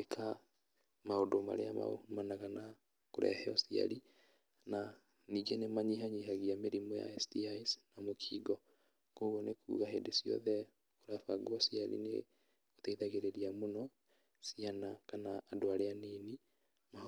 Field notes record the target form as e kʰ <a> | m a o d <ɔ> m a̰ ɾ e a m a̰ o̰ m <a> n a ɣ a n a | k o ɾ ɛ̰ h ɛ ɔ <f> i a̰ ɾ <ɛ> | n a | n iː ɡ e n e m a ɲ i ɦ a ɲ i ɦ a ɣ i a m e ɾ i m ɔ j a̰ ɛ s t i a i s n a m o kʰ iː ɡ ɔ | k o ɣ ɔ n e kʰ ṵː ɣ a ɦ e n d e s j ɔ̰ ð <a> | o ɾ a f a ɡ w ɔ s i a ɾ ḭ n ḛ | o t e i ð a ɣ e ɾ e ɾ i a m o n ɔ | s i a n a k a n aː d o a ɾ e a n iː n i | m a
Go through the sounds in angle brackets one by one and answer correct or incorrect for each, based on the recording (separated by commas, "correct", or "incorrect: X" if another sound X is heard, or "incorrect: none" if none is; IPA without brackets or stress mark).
correct, incorrect: o, correct, incorrect: s, incorrect: i, incorrect: ɛ